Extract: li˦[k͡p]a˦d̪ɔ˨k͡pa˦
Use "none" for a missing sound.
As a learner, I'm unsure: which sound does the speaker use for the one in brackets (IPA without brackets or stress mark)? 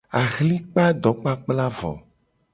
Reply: k͡p